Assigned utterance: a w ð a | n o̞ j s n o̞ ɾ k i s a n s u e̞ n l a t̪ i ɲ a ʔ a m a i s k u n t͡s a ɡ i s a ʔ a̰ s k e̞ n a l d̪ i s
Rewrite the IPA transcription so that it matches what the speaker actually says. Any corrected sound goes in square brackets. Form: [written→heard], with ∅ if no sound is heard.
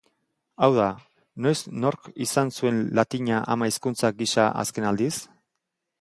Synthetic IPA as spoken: a w ð a | n o̞ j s n o̞ ɾ k i s a n s u e̞ n l a t̪ i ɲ a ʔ a m a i s k u n t͡s a ɡ i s a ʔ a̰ s k e̞ n a l d̪ i s